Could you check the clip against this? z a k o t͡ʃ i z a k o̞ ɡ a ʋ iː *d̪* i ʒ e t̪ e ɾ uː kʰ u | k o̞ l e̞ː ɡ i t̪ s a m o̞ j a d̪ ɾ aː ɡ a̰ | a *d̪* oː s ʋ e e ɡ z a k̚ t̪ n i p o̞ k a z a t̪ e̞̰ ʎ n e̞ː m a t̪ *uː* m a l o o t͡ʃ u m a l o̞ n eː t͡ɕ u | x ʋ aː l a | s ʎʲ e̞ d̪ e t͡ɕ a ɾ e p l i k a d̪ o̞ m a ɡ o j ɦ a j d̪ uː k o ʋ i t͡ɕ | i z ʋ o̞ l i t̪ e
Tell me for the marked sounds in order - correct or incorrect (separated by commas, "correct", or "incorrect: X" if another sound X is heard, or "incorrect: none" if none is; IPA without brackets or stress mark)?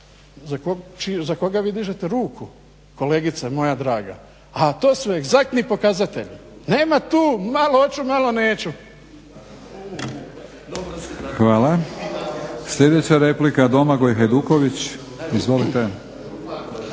correct, incorrect: t̪, correct